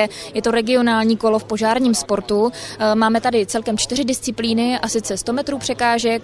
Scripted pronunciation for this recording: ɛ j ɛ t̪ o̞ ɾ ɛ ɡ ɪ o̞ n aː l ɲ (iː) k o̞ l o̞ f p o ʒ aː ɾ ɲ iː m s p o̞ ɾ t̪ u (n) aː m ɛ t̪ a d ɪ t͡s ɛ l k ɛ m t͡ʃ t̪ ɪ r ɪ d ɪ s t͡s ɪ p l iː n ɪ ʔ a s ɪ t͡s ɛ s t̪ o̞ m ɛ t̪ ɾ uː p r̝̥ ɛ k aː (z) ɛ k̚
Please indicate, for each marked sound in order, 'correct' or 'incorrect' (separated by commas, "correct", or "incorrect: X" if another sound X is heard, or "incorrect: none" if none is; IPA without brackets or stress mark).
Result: correct, incorrect: m, incorrect: ʒ